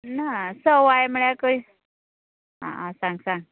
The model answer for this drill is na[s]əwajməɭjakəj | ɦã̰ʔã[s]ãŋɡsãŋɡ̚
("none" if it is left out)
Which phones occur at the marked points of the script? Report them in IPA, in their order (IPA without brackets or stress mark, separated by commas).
s, s